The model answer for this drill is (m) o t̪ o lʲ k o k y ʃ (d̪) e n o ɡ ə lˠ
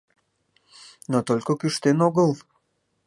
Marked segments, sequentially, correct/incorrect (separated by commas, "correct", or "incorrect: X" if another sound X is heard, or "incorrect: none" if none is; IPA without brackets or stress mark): incorrect: n, incorrect: t̪